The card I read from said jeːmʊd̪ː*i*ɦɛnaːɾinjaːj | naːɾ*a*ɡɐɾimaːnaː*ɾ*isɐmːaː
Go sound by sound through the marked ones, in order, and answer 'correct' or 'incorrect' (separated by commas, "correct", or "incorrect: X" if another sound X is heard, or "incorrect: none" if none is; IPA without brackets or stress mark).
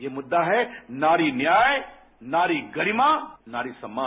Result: incorrect: a, incorrect: i, correct